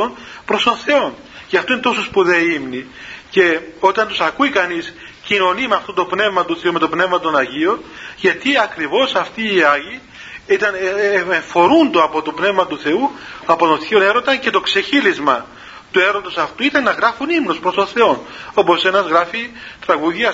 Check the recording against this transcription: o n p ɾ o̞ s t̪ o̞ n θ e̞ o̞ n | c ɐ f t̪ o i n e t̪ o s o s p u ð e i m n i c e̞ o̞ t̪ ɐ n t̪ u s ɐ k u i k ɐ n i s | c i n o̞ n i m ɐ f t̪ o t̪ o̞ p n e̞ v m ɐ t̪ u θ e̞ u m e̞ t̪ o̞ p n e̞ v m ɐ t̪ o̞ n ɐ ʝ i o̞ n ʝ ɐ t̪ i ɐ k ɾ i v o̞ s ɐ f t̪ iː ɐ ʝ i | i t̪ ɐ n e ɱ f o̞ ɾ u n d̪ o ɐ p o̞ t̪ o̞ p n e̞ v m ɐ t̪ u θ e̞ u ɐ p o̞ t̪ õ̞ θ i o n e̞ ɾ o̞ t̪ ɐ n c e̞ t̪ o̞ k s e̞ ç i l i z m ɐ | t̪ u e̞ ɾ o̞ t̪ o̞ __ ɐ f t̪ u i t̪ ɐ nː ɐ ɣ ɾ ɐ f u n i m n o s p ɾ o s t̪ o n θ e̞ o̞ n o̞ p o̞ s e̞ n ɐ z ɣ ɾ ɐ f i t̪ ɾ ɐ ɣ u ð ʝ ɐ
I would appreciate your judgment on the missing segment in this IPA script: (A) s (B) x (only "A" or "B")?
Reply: A